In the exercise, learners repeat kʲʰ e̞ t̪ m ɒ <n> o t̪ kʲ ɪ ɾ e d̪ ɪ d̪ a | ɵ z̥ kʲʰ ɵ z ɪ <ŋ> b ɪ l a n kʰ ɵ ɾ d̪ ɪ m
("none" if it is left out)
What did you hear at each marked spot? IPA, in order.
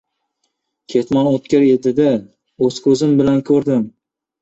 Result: n, m

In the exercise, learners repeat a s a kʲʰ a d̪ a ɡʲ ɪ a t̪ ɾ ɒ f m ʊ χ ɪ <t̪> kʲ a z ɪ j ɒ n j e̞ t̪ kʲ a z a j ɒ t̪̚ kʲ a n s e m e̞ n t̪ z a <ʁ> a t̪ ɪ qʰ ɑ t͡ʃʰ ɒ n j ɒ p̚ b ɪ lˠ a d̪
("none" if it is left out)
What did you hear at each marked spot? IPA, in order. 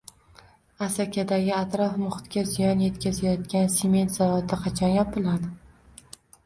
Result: t̪, v

